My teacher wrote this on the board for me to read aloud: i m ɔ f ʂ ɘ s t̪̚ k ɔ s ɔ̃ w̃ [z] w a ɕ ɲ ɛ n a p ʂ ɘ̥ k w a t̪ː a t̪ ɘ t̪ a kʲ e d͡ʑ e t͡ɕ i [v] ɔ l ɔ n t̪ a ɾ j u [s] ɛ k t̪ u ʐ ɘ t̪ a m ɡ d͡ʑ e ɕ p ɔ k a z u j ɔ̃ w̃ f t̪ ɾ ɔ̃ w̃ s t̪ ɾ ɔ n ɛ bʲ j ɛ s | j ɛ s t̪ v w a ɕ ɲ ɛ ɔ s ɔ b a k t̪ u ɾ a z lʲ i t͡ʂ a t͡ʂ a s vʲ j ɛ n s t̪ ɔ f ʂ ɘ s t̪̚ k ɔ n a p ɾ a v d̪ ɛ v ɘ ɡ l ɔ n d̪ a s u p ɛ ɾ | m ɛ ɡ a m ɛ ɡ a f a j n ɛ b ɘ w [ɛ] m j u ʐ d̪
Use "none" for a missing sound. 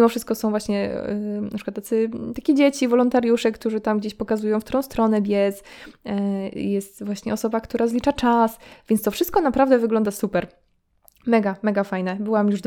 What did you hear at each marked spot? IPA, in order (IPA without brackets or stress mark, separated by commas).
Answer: v, v, ʂ, a